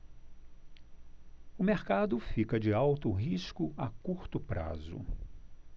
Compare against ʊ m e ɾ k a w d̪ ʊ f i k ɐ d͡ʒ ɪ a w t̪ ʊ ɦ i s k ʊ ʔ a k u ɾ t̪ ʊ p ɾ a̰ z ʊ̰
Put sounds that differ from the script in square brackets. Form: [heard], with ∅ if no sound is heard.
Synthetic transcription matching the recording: ʊ m e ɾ k a [∅] d̪ ʊ f i k ɐ d͡ʒ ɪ a w t̪ ʊ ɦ i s k ʊ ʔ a k u ɾ t̪ ʊ p ɾ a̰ z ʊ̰